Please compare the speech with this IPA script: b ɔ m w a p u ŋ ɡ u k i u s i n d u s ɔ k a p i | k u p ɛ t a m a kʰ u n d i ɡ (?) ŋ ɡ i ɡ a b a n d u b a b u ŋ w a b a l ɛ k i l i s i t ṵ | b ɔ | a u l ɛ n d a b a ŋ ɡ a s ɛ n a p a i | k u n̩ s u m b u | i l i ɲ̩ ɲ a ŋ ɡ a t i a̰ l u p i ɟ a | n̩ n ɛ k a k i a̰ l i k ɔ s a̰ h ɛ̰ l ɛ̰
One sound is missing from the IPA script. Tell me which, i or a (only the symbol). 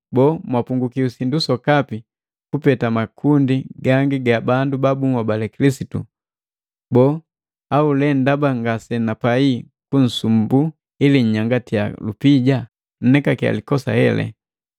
a